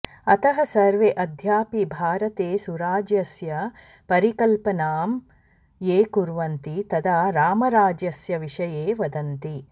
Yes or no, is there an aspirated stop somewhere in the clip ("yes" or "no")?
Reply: no